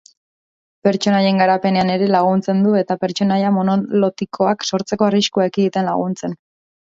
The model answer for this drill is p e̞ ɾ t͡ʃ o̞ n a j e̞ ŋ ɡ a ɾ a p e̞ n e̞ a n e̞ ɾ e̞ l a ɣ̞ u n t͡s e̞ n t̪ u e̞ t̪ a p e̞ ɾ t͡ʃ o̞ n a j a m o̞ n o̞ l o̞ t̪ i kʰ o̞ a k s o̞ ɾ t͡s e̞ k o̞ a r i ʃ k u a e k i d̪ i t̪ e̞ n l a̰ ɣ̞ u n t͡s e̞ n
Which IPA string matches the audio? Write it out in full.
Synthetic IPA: p e̞ ɾ t͡ʃ o̞ n a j e̞ ŋ ɡ a ɾ a p e̞ n e̞ a n e̞ ɾ e̞ l a ɣ̞ u n t͡s e̞ n d̪ u e̞ t̪ a p e̞ ɾ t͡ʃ o̞ n a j a m o̞ n o̞ l o̞ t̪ i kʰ o̞ a k s o̞ ɾ t͡s e̞ k o̞ a r i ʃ k u a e k i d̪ i t̪ e̞ n l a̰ ɣ̞ u n t͡s e̞ n